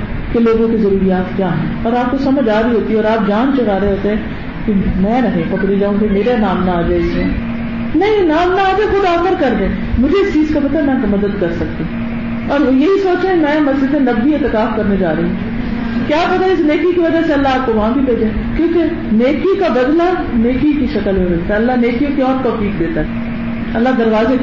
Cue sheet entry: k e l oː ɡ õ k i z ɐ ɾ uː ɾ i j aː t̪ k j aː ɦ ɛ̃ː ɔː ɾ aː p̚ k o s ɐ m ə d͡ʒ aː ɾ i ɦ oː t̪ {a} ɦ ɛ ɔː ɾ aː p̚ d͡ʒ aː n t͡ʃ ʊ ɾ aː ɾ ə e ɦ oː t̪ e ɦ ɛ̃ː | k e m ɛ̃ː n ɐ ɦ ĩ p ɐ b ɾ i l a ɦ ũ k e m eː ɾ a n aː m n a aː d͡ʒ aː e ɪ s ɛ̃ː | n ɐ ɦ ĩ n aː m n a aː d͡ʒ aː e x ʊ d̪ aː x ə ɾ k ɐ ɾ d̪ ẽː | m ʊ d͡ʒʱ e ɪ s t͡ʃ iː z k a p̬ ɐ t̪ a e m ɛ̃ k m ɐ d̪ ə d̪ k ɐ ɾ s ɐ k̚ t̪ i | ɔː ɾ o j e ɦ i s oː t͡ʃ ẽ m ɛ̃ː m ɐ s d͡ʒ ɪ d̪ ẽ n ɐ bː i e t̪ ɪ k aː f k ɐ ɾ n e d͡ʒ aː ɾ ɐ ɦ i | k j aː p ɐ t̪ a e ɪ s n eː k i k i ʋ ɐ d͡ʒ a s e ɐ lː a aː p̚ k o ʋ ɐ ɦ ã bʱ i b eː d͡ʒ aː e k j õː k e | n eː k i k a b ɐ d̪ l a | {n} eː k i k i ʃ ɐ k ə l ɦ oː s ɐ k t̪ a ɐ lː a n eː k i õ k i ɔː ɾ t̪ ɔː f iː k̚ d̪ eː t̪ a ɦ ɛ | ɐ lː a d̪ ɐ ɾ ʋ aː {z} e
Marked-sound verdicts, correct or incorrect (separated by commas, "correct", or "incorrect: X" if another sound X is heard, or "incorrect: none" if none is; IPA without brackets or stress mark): incorrect: i, correct, correct